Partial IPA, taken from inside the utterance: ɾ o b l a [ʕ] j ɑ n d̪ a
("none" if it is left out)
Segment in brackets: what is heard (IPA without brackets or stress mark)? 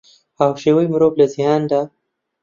z